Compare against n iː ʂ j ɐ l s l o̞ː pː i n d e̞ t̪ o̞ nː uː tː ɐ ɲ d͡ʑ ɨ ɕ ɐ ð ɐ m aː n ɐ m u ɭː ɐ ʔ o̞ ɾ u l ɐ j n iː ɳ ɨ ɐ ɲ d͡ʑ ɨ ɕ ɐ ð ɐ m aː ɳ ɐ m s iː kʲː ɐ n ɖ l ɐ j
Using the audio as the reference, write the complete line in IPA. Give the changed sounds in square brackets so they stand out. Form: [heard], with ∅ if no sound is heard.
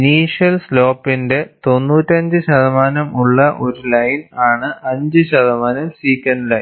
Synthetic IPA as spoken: n iː ʂ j ɐ l s l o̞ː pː i n d e̞ t̪ o̞ nː uː tː ɐ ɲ d͡ʑ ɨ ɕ ɐ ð ɐ m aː n ɐ m u ɭː ɐ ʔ o̞ ɾ u l ɐ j n [aː] ɳ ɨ ɐ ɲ d͡ʑ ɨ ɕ ɐ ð ɐ m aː [n] ɐ m s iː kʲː ɐ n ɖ l ɐ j